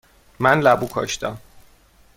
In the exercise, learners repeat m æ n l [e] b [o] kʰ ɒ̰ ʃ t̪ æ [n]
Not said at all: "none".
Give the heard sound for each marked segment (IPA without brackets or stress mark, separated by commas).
æ, u, m